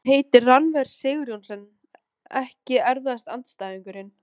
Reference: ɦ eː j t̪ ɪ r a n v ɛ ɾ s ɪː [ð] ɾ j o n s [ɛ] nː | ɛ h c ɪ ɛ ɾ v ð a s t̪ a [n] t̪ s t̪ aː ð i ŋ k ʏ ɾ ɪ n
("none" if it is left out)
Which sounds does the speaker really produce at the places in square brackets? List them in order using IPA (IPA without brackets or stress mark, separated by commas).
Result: ɣ, ɛ, n